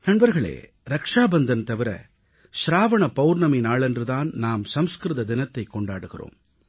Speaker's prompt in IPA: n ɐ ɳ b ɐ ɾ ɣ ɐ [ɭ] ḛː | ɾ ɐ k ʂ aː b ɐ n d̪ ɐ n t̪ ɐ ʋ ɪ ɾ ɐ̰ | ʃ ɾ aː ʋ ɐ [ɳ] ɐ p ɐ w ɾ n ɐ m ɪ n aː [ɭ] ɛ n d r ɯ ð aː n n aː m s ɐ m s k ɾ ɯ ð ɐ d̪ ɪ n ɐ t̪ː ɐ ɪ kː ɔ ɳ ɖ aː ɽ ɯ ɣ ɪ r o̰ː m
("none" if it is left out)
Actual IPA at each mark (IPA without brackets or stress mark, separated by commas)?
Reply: ɭ, ɳ, ɭ